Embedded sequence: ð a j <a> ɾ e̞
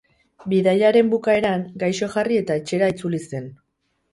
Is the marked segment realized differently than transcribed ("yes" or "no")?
no